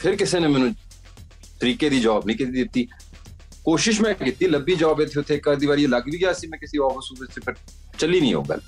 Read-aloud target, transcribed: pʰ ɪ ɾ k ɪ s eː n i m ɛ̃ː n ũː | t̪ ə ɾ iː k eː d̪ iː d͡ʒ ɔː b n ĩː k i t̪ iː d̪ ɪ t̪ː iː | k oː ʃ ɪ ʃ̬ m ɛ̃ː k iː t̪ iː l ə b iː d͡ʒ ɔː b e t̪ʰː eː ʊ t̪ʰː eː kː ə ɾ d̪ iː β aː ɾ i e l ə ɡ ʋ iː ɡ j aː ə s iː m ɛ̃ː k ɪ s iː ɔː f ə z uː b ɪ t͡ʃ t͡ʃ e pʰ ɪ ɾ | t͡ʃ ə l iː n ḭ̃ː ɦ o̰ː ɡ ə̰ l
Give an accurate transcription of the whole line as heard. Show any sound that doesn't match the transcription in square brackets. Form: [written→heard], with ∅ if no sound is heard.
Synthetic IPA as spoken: pʰ ɪ ɾ k ɪ s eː n [i→e] m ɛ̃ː n ũː | t̪ ə ɾ iː k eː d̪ iː d͡ʒ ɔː b n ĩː k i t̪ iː d̪ ɪ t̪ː iː | k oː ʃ ɪ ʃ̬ m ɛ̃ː k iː t̪ iː l ə b iː d͡ʒ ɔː b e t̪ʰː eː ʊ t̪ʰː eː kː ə ɾ d̪ iː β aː ɾ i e l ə ɡ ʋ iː ɡ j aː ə s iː m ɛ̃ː k ɪ s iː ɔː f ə [z→s] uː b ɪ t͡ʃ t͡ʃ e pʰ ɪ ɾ | t͡ʃ ə l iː n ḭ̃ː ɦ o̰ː ɡ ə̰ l